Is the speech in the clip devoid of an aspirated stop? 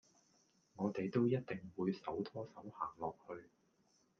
no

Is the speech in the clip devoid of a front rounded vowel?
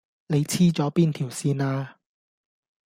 yes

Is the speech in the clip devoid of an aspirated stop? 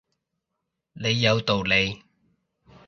yes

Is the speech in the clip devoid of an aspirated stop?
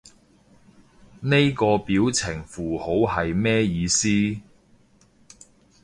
no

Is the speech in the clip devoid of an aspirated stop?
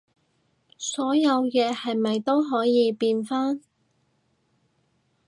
yes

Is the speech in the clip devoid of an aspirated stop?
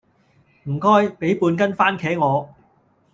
no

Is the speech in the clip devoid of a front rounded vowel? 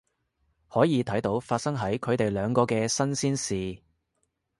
no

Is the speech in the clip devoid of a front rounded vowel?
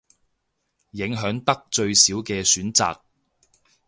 no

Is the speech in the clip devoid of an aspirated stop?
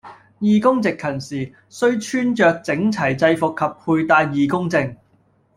no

